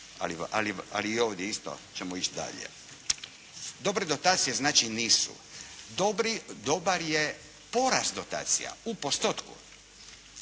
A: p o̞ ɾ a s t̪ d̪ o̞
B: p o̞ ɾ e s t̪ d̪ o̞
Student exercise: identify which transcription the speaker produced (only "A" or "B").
A